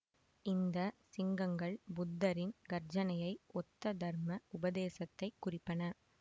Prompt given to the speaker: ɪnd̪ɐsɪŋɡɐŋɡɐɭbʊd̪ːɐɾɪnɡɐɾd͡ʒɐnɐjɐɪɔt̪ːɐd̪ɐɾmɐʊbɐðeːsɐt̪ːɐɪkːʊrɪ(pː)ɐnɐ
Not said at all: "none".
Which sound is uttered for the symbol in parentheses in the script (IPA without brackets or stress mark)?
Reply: pː